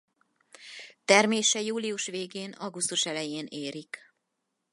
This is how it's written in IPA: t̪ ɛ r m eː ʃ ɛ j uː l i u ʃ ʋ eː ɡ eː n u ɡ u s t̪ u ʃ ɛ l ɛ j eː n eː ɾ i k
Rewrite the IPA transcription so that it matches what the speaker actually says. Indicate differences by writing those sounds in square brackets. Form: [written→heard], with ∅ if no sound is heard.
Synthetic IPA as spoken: t̪ ɛ r m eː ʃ ɛ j uː l i u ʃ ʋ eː ɡ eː n [u→ɒ] ɡ u s t̪ u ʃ ɛ l ɛ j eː n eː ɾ i k